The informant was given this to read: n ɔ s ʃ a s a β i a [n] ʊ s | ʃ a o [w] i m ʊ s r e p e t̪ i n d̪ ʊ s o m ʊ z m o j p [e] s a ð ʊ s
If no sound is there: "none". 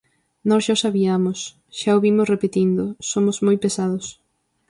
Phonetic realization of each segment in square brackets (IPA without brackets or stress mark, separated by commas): m, β, e